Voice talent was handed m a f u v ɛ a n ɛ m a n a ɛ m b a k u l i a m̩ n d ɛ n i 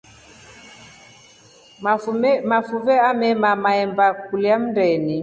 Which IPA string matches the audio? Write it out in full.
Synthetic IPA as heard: m a f u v ɛ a m ɛ m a m a ɛ m b a k u l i a m̩ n d ɛ n i